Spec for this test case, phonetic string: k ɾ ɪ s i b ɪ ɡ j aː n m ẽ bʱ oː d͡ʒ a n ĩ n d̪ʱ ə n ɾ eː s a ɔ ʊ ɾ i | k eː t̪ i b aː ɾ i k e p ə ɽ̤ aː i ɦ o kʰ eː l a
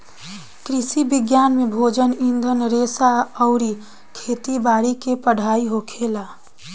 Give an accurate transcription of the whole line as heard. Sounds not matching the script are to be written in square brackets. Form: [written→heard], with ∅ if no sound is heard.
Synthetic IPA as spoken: k ɾ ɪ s i b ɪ ɡ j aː n m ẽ bʱ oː d͡ʒ [a→ə] n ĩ n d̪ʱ ə n ɾ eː s a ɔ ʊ ɾ i | [k→kʰ] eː t̪ i b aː ɾ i k e p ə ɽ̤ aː i ɦ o kʰ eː l a